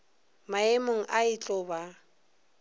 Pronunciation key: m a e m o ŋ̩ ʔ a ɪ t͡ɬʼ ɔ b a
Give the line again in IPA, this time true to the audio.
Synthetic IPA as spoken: m a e m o ŋ̩ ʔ a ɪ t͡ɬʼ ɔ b a